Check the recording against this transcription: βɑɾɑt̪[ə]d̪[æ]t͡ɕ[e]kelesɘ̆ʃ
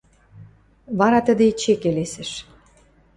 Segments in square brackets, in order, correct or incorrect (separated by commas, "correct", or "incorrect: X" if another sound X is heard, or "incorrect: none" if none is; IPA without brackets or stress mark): correct, incorrect: e, correct